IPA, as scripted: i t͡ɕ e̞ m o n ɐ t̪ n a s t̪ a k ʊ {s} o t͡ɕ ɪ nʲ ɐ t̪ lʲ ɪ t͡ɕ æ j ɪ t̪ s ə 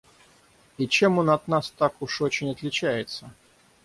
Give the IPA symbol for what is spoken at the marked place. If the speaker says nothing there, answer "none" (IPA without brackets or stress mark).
ʂ